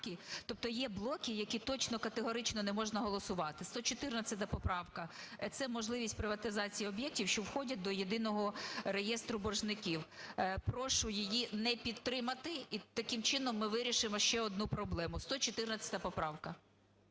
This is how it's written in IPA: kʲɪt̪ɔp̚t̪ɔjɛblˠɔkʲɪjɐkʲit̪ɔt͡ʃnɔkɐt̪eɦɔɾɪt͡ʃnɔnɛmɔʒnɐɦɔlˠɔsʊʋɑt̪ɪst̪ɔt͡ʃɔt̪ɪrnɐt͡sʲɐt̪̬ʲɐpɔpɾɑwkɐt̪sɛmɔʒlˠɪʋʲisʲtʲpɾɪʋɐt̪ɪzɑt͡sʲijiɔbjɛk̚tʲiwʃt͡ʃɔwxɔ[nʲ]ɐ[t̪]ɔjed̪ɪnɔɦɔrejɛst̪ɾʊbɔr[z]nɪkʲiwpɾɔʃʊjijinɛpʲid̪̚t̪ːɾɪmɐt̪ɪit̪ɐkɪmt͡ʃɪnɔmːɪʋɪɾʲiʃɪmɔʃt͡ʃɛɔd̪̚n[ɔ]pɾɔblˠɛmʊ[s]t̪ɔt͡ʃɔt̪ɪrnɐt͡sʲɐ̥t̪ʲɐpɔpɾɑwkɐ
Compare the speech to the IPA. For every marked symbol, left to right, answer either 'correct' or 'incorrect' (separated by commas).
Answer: incorrect, incorrect, incorrect, incorrect, correct